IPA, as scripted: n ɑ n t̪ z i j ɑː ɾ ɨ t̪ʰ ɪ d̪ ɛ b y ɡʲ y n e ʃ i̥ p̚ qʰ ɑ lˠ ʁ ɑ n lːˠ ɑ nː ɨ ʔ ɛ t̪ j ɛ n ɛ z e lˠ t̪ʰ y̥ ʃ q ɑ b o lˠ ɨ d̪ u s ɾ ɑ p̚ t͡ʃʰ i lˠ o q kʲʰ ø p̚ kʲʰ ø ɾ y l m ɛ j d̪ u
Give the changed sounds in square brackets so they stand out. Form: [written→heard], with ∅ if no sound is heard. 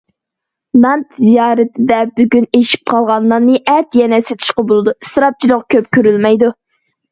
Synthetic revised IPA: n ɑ n t̪ z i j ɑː ɾ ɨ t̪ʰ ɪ d̪ ɛ b y ɡʲ y n e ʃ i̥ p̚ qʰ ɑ lˠ ʁ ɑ n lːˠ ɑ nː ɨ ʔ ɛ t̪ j ɛ n ɛ [z→s] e [lˠ→∅] t̪ʰ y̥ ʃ q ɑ b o lˠ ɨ d̪ u s ɾ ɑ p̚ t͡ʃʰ i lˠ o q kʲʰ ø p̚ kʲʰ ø ɾ y l m ɛ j d̪ u